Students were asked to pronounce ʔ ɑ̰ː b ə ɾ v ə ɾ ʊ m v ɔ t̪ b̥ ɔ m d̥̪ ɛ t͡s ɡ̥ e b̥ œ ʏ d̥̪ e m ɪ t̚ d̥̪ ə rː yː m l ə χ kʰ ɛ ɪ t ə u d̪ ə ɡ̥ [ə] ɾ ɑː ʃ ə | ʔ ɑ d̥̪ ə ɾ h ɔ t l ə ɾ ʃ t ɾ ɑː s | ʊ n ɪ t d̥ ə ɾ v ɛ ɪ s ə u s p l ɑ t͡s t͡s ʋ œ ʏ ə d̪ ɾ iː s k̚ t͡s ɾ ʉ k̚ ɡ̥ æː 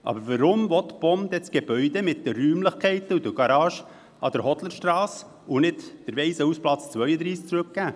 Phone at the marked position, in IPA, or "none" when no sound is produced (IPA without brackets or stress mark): ɑ